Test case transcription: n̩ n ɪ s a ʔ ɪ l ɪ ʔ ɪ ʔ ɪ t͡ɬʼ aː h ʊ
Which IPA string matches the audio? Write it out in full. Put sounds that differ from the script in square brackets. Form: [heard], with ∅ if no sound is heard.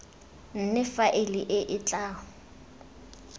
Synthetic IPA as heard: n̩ n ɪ [f] a ʔ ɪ l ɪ ʔ ɪ ʔ ɪ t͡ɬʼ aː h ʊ